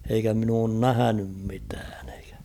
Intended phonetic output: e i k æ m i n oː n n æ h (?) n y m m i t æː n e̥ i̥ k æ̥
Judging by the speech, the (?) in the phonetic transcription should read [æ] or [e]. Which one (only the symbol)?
æ